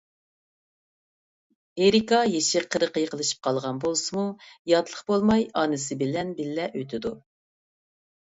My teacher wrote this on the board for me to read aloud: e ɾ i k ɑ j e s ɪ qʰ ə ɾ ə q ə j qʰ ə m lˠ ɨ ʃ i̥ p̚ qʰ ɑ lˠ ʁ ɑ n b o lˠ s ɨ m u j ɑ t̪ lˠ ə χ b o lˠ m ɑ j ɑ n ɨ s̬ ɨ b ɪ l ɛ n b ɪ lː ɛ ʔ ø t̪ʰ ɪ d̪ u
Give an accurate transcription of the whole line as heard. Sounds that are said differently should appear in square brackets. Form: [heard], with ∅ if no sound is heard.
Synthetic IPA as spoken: e ɾ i k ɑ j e [ʃ] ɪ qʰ ə ɾ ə q ə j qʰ ə [∅] lˠ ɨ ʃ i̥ p̚ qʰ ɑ lˠ ʁ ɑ n b o lˠ s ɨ m u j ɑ t̪ lˠ ə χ b o lˠ m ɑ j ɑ n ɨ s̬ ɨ b ɪ l ɛ n b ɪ lː ɛ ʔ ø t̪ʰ ɪ d̪ u